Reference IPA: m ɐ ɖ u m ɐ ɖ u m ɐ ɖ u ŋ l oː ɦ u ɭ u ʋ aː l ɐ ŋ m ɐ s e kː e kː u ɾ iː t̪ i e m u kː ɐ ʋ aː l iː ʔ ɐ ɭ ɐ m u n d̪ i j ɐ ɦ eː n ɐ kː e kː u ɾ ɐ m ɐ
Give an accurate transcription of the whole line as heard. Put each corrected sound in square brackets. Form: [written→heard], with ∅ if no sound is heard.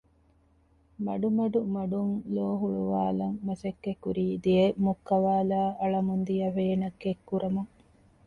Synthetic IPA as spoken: m ɐ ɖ u m ɐ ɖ u m ɐ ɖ u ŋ l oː ɦ u ɭ u ʋ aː l ɐ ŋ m ɐ s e kː e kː u ɾ iː [t̪→d̪] i e m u kː ɐ ʋ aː l [iː→aː] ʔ ɐ ɭ ɐ m u n d̪ i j ɐ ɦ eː n ɐ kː e kː u ɾ ɐ m ɐ